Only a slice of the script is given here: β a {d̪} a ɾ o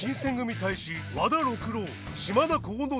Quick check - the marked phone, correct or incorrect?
correct